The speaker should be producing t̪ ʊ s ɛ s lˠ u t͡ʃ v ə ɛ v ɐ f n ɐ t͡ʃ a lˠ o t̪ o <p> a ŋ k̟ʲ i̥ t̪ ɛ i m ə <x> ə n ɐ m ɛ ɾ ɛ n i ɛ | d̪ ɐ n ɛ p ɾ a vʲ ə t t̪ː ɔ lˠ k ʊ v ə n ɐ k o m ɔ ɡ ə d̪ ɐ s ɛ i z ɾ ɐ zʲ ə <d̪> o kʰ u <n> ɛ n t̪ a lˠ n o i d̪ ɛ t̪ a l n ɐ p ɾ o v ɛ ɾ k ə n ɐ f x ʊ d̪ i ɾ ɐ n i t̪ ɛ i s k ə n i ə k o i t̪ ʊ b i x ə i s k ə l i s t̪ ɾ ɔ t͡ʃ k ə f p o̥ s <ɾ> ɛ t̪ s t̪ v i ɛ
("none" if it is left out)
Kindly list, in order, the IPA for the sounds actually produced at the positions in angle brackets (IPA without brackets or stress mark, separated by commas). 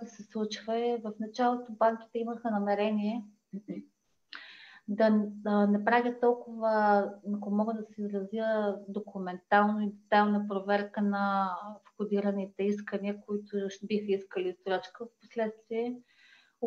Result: b, x, d̪, m, l